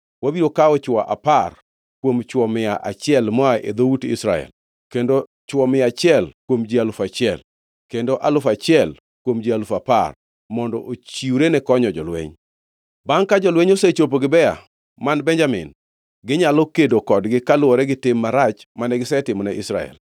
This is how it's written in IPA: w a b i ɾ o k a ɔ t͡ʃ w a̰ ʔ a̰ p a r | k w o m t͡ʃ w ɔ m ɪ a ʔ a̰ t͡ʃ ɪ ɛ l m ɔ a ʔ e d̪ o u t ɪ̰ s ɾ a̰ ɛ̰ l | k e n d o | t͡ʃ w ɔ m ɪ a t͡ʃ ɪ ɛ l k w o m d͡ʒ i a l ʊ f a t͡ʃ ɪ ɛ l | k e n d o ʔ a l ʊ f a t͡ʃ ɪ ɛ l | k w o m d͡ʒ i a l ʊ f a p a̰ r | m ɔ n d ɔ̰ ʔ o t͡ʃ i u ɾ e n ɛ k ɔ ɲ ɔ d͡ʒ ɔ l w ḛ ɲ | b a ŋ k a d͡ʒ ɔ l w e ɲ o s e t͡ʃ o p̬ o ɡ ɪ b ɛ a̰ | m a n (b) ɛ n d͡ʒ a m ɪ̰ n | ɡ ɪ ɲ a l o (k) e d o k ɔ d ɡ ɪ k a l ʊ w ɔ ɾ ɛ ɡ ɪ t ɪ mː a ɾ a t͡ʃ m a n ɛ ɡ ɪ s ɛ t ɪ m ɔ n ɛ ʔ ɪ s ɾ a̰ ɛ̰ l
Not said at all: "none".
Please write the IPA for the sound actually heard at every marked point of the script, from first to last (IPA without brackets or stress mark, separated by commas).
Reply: b, k